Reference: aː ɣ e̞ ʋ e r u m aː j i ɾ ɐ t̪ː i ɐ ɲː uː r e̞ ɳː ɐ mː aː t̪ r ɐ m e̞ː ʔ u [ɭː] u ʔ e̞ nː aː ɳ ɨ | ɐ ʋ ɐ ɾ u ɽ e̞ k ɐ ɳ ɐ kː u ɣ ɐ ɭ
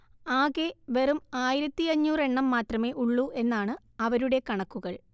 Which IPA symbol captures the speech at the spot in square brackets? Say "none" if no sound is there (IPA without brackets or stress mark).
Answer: ɭː